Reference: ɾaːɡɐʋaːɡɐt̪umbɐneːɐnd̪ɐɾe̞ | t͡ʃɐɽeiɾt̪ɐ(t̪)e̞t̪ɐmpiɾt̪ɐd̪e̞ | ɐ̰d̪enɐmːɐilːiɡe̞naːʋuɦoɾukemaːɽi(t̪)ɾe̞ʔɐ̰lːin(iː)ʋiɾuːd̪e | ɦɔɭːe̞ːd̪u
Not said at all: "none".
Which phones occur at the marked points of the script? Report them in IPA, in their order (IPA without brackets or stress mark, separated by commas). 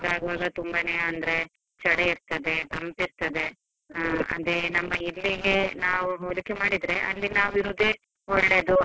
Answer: d̪, d̪, aː